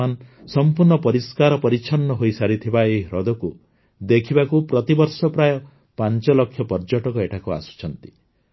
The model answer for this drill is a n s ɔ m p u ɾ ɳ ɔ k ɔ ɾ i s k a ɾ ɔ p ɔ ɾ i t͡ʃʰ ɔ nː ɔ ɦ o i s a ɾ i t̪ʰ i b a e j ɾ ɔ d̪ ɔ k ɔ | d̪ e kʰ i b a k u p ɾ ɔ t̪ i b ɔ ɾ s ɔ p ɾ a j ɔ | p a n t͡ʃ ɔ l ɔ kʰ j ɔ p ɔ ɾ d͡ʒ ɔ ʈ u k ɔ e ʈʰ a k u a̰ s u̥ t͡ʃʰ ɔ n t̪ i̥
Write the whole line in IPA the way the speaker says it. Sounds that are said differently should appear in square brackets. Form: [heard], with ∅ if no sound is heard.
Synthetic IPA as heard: a n s ɔ m p u ɾ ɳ ɔ [p] ɔ ɾ i s k a ɾ ɔ p ɔ ɾ i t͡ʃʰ ɔ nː ɔ ɦ o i s a ɾ i t̪ʰ i b a e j ɾ ɔ d̪ ɔ k [u] | d̪ e kʰ i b a k u p ɾ ɔ t̪ i b ɔ ɾ s ɔ p ɾ a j ɔ | p a n t͡ʃ ɔ l ɔ kʰ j ɔ p ɔ ɾ d͡ʒ ɔ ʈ [ɔ] k ɔ e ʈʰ a k u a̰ s u̥ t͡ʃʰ ɔ n t̪ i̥